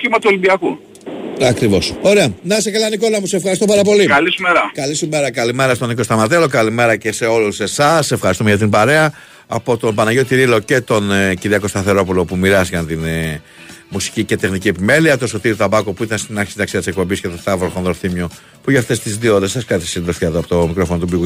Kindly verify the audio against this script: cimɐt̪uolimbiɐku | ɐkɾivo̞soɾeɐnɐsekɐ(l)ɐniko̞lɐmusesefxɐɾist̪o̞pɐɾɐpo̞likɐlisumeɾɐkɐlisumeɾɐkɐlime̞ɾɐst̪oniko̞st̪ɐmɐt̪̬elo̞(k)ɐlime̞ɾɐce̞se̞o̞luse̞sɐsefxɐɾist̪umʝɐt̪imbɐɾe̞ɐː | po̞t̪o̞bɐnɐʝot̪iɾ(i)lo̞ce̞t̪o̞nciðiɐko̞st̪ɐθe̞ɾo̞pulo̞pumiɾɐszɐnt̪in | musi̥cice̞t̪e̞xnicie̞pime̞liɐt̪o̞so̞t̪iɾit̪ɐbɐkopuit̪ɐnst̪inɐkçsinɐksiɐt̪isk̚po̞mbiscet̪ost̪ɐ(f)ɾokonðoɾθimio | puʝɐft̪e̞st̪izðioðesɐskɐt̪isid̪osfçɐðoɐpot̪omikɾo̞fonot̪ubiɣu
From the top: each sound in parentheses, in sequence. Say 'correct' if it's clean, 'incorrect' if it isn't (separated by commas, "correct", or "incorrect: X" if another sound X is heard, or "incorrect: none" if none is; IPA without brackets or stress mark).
correct, correct, correct, incorrect: v